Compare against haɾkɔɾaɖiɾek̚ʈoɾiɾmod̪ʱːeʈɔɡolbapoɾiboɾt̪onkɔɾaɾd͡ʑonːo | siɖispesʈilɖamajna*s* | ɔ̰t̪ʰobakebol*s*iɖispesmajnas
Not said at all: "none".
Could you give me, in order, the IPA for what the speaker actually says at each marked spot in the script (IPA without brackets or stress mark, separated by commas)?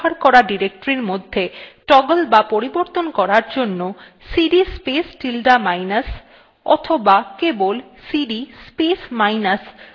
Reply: s, s